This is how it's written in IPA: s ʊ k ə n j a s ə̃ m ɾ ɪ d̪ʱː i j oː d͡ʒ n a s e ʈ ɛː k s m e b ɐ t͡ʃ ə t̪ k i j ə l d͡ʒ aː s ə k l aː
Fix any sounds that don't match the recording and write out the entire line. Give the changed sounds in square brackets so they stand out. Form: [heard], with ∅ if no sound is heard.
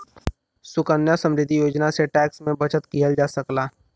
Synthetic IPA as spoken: s ʊ k ə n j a s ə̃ m ɾ ɪ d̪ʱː i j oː d͡ʒ n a s e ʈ ɛː k s m [ẽ] b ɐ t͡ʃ ə t̪ k i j ə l d͡ʒ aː s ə k l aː